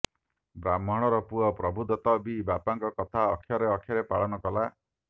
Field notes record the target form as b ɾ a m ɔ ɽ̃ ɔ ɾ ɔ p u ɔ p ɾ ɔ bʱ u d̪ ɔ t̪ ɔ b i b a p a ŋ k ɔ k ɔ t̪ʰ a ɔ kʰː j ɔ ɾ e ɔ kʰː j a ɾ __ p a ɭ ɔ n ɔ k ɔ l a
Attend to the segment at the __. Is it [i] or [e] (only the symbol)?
e